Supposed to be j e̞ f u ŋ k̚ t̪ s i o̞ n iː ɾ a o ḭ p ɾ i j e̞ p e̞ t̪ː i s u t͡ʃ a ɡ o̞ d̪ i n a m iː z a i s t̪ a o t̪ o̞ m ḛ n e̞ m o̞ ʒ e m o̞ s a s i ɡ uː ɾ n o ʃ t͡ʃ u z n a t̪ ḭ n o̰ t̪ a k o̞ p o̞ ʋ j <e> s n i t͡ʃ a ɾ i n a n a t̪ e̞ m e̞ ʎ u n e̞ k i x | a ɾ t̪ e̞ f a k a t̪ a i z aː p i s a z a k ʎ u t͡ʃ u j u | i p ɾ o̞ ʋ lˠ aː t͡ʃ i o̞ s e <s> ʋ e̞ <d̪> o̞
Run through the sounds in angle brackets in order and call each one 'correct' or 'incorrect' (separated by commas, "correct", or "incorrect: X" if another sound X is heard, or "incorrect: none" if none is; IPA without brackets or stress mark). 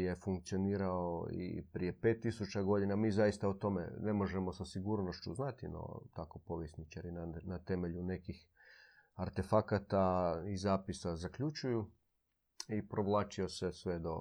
correct, correct, correct